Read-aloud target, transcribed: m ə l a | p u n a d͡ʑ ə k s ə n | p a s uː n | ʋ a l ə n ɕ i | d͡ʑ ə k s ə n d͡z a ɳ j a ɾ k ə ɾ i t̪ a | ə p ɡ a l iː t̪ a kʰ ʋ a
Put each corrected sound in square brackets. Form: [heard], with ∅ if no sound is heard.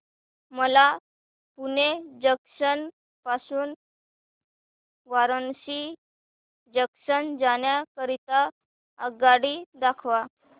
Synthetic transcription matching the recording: m ə l a | p u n [e] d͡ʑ ə k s ə n | p a s uː n | ʋ a [ɾ] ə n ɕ i | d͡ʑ ə k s ə n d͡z a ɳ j a [∅] k ə ɾ i t̪ a | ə [∅] ɡ a [ɽ] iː [d̪] a kʰ ʋ a